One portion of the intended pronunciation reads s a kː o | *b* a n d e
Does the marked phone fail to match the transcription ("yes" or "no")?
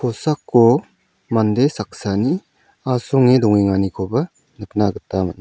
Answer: yes